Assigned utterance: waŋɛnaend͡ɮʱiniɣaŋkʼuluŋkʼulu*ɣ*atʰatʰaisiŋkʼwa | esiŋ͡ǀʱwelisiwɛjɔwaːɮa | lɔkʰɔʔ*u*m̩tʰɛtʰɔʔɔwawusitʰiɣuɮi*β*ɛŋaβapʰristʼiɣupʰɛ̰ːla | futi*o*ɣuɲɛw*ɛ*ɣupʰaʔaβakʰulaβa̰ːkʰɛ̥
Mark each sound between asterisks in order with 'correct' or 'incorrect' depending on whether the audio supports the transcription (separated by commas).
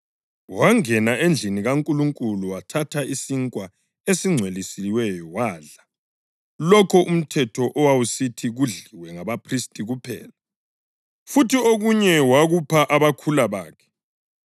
incorrect, correct, incorrect, correct, incorrect